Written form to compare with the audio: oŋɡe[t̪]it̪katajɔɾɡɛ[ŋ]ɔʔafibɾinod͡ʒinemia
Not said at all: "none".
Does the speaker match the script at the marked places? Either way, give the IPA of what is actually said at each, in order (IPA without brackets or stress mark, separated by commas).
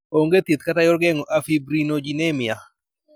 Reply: t̪, ŋ